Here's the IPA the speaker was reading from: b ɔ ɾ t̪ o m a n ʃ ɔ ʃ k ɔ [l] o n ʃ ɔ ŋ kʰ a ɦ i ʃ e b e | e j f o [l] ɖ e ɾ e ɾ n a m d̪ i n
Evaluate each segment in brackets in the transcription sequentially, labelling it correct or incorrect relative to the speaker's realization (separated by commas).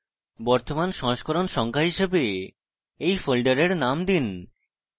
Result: incorrect, correct